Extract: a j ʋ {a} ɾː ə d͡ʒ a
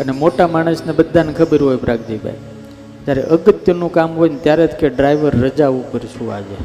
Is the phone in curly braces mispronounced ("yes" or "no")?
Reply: yes